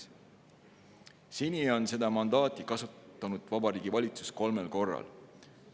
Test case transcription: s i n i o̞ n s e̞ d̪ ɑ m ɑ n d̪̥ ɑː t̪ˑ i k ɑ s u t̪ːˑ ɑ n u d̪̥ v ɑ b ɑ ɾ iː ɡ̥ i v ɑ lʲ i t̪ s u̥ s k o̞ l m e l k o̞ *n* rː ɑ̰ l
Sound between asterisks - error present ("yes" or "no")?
yes